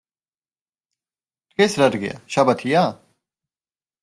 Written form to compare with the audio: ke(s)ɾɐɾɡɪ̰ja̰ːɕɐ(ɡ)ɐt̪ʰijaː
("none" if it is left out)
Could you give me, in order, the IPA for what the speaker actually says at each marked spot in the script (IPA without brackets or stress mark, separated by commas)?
s, b